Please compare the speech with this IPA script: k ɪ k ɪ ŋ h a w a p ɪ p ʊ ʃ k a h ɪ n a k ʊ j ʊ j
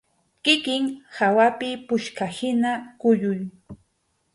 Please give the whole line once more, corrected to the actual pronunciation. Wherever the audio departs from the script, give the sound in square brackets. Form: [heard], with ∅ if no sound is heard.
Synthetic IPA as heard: k ɪ k ɪ ŋ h a w a p ɪ p ʊ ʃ k a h ɪ n a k ʊ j ʊ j